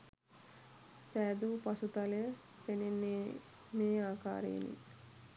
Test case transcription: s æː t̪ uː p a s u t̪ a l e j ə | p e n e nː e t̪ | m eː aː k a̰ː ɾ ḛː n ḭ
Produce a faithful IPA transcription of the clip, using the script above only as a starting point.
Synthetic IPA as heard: s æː d̪ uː p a s u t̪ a l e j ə | p e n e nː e | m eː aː k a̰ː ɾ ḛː n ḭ